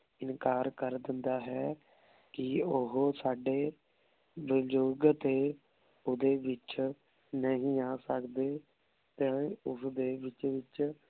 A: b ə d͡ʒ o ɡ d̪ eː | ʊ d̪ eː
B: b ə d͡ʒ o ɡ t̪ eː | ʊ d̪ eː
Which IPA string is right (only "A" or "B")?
B